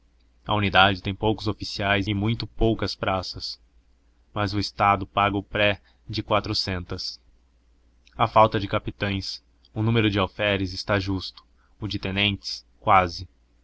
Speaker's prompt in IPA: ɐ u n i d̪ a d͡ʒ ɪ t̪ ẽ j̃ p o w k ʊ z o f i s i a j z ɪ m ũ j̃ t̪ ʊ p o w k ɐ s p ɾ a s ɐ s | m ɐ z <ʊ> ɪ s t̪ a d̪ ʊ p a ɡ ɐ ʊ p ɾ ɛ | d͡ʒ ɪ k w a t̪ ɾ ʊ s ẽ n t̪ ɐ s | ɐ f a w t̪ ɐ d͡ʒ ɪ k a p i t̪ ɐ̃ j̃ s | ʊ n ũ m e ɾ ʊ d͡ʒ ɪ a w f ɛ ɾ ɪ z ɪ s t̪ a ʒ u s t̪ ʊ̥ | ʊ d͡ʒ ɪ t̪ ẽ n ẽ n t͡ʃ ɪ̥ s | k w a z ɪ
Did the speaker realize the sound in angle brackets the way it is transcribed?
yes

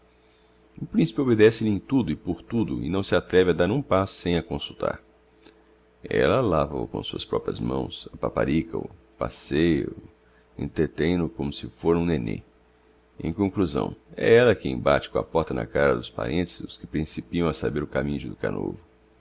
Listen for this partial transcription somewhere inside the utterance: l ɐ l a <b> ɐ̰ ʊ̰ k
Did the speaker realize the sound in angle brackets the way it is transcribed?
no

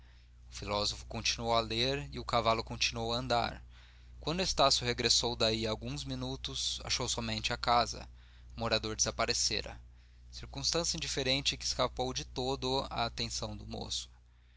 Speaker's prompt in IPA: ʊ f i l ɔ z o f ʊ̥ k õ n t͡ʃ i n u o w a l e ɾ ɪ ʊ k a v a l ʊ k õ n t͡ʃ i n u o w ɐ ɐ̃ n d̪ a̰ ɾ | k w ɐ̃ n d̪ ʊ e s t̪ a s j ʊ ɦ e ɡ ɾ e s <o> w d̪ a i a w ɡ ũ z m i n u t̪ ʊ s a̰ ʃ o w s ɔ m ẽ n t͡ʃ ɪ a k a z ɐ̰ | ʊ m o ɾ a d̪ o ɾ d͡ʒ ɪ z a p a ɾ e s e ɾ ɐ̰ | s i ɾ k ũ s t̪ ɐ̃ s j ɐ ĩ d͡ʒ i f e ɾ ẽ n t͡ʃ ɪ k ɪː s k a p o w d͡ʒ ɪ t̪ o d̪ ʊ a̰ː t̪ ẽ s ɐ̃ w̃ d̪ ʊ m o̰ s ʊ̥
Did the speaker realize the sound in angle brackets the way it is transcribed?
yes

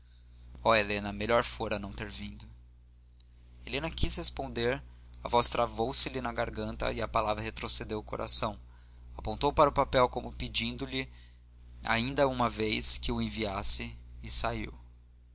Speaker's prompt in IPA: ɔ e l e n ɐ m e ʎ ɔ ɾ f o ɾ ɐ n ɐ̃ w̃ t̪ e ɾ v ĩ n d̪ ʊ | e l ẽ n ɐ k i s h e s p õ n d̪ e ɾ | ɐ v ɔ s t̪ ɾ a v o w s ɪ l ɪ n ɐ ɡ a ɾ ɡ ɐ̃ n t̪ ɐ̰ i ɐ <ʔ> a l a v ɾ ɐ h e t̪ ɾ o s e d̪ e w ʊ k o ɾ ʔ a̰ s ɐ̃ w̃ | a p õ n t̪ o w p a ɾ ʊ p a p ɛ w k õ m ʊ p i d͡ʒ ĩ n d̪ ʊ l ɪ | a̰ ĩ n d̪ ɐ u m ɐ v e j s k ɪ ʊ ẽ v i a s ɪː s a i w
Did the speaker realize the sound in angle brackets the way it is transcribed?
no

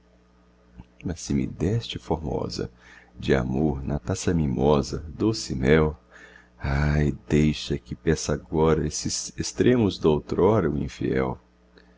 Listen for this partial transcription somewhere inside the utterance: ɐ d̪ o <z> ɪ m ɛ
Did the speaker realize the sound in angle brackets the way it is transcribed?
no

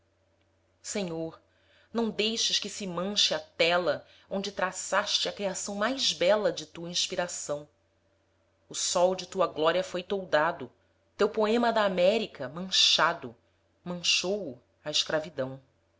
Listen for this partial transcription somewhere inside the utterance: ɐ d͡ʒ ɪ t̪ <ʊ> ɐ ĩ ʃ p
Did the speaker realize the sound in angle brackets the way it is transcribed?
no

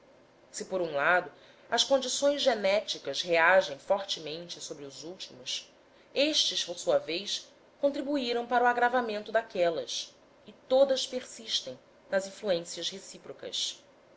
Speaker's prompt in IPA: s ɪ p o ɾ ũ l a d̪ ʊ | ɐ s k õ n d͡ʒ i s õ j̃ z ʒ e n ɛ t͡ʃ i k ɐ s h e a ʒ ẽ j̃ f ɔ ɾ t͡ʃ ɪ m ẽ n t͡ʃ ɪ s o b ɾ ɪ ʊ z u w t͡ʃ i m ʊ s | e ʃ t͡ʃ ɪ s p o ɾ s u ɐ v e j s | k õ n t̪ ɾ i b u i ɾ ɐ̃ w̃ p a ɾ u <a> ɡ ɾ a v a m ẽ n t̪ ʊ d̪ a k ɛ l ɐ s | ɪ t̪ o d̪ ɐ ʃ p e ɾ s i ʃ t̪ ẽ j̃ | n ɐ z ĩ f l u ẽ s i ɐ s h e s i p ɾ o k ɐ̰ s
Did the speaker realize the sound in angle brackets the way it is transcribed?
yes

